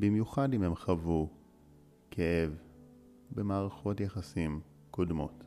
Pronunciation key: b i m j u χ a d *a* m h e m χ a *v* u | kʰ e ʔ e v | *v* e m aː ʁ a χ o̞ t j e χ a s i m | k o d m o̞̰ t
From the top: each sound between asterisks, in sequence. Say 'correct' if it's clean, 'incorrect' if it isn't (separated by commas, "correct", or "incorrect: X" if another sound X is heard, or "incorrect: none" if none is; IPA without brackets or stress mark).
incorrect: i, correct, incorrect: b